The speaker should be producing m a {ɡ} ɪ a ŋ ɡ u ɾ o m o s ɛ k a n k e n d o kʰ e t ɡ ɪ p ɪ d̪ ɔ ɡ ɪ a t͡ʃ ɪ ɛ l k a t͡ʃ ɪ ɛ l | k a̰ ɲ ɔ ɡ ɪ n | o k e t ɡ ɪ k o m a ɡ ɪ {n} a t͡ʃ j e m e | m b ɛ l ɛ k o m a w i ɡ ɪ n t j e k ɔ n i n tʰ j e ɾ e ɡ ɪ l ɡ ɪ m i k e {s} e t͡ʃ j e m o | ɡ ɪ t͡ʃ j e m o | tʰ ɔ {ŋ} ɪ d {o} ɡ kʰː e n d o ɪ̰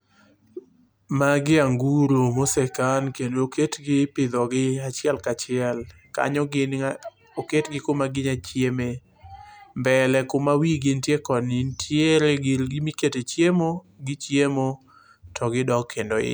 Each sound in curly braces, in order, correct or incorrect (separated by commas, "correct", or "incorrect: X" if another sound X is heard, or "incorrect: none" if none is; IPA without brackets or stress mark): correct, incorrect: ɲ, incorrect: t, incorrect: ɡ, incorrect: ɔ